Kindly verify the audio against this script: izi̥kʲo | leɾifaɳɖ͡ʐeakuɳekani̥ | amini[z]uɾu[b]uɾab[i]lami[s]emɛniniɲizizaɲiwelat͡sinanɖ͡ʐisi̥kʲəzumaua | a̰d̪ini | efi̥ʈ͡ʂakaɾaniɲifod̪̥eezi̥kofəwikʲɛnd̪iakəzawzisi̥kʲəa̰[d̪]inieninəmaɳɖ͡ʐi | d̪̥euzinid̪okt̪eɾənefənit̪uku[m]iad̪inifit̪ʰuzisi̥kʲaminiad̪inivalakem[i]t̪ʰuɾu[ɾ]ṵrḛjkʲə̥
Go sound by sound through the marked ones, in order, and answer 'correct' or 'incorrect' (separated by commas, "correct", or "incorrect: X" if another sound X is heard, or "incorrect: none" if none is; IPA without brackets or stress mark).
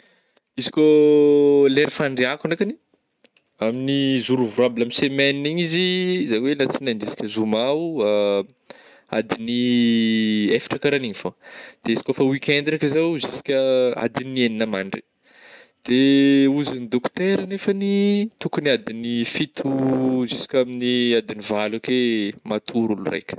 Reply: correct, incorrect: v, correct, correct, correct, incorrect: n, incorrect: a, incorrect: l